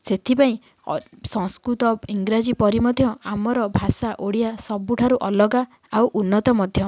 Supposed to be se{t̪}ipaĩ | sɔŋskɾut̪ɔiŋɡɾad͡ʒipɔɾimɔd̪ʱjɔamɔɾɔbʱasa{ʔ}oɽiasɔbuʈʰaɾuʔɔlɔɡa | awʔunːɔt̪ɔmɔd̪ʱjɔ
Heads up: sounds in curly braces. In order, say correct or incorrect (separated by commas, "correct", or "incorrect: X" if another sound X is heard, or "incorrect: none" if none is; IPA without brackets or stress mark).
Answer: incorrect: t̪ʰ, correct